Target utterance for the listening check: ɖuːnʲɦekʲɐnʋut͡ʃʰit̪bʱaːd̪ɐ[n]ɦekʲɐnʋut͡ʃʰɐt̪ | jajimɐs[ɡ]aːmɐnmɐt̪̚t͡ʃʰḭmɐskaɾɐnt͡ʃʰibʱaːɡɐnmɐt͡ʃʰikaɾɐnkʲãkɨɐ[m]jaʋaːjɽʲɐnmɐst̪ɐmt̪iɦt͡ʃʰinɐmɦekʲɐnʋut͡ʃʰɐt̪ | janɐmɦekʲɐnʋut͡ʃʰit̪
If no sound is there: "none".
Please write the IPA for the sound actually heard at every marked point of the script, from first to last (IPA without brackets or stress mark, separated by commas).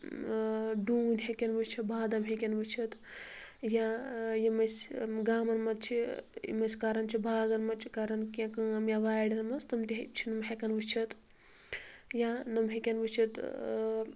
m, ɡ, m